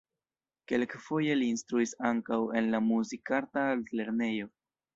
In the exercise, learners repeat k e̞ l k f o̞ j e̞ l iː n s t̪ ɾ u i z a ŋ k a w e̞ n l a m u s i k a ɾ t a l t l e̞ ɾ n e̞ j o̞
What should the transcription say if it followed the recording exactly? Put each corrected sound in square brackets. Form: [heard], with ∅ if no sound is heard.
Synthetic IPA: k e̞ l k f o̞ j e̞ l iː n s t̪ ɾ u i [s] a ŋ k a w e̞ n l a m u [z] i k a ɾ t a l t l e̞ ɾ n e̞ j o̞